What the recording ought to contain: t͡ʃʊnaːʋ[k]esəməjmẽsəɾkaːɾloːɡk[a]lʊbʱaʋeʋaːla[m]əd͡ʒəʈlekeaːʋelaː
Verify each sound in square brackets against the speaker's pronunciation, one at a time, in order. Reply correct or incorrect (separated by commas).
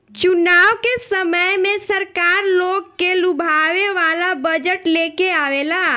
correct, incorrect, incorrect